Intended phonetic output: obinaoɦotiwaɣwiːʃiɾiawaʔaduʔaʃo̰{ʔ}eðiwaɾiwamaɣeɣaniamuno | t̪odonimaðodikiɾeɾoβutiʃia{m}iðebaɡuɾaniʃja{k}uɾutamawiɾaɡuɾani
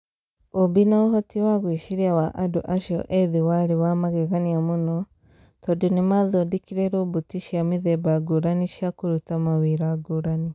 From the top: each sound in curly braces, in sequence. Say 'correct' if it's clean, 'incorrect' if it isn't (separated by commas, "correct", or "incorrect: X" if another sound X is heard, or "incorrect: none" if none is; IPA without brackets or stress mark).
correct, correct, correct